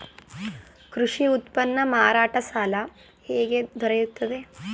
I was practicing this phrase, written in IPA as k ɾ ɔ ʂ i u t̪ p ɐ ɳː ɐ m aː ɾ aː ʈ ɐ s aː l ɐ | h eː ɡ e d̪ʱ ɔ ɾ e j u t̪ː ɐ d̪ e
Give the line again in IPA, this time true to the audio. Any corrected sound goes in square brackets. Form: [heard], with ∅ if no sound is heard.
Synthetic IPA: k ɾ [u] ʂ i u t̪ p ɐ [nː] ɐ m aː ɾ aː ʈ ɐ s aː l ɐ | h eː ɡ e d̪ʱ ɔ ɾ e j u t̪ː ɐ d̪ e